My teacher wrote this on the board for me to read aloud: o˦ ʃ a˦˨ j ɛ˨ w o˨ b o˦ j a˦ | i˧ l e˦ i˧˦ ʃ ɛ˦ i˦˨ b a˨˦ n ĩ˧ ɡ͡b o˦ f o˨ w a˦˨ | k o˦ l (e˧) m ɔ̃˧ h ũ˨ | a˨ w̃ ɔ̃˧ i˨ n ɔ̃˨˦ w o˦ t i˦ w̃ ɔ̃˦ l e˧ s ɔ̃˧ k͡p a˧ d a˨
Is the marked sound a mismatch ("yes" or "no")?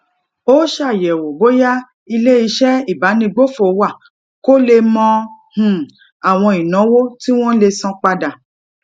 no